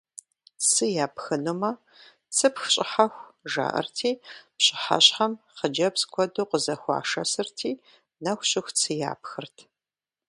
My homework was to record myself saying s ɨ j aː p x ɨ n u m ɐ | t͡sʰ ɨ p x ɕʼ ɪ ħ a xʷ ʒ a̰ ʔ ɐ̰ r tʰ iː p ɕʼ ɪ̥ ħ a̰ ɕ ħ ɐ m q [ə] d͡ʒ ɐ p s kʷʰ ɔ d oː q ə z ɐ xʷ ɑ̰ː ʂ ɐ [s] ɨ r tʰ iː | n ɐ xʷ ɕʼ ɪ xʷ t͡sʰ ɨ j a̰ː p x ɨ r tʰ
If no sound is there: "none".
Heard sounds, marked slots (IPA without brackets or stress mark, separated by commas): ə, s